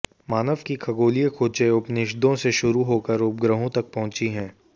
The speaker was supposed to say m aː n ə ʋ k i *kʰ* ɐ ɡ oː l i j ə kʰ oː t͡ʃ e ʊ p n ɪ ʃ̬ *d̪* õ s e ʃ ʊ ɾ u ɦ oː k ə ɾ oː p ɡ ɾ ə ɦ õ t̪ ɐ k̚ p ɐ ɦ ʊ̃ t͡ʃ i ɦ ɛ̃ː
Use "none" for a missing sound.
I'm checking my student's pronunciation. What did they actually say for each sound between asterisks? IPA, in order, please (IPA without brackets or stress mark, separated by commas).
kʰ, d̪